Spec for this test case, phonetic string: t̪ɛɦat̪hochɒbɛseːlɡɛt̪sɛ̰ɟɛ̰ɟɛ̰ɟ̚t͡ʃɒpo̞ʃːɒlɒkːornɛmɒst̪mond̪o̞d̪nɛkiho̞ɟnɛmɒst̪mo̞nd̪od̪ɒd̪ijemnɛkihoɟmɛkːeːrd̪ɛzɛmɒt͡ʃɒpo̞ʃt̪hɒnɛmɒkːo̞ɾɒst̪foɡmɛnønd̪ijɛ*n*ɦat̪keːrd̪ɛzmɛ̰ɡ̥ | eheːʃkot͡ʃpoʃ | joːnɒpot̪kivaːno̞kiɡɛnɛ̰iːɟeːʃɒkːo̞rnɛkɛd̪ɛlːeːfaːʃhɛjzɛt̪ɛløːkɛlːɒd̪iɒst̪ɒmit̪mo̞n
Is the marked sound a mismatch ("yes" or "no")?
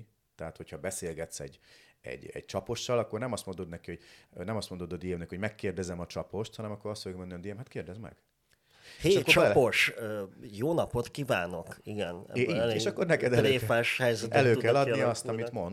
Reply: yes